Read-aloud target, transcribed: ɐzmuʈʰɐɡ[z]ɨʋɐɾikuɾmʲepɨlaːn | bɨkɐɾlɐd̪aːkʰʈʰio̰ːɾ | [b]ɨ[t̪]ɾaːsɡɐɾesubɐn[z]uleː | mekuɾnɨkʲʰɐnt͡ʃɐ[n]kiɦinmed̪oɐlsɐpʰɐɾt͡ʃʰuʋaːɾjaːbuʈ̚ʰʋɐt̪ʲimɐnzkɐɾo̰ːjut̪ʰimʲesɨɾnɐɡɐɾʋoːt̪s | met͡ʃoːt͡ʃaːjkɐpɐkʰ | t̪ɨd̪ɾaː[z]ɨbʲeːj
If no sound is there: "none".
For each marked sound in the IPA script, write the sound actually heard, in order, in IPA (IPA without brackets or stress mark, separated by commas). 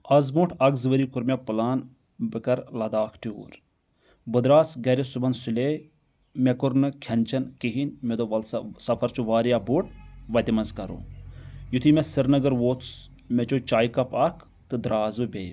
z, b, d̪, s, n, z